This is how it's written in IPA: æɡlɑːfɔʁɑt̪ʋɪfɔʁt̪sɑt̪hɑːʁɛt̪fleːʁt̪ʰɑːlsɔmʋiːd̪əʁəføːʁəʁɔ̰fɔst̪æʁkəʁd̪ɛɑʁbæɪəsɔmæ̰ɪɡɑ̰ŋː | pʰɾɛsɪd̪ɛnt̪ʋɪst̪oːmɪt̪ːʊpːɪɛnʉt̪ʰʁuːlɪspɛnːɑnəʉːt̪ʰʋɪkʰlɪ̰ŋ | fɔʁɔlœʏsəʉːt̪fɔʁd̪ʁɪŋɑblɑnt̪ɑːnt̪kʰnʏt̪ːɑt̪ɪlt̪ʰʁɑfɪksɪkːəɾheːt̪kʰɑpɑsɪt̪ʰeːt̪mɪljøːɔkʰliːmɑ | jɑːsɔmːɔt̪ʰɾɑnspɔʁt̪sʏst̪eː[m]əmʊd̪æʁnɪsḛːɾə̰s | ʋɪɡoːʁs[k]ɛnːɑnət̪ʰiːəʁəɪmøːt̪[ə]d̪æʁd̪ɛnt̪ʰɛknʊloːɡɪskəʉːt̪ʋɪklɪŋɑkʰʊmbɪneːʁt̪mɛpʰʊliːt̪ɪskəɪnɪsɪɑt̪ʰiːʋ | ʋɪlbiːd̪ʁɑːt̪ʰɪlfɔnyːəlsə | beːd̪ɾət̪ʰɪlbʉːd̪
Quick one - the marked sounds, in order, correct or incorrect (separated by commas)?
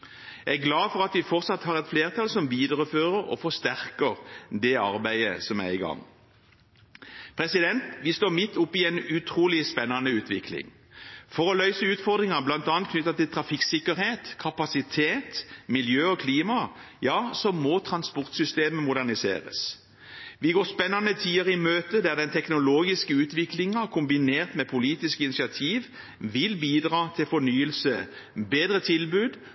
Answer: correct, incorrect, correct